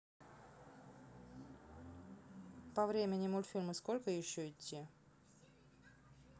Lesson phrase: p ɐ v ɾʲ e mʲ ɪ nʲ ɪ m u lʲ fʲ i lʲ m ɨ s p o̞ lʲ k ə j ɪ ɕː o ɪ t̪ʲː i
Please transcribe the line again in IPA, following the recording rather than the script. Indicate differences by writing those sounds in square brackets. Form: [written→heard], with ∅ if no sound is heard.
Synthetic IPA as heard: p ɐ v ɾʲ e mʲ ɪ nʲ ɪ m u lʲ fʲ i lʲ m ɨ s [p→k] o̞ lʲ k ə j ɪ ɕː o ɪ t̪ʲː i